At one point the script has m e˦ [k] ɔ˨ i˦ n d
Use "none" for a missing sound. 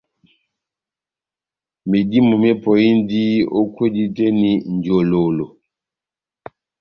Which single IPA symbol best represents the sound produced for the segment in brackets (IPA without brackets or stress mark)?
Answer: p